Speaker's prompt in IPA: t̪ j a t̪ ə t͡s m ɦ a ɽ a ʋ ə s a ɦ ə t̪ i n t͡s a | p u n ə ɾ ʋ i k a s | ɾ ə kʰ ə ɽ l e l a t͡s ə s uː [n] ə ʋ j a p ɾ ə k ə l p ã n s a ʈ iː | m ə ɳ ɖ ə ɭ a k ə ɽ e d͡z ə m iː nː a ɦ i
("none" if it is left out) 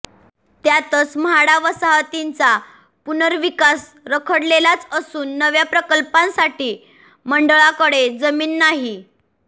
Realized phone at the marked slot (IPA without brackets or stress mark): nː